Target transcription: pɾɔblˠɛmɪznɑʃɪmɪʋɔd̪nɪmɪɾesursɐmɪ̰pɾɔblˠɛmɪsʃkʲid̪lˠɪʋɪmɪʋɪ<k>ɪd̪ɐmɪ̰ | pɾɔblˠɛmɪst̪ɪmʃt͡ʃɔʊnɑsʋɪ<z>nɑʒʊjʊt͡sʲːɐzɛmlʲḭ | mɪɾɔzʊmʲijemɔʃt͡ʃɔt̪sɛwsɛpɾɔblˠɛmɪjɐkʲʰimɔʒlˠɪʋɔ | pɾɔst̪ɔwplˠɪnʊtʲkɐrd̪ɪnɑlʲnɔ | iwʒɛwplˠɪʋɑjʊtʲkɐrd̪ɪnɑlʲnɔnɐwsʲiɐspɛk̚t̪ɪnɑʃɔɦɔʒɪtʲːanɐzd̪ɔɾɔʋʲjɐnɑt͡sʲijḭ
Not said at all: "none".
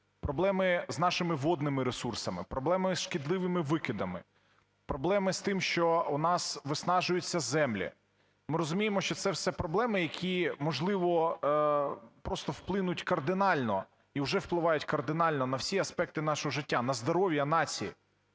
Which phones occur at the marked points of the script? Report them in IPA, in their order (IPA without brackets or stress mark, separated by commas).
k, s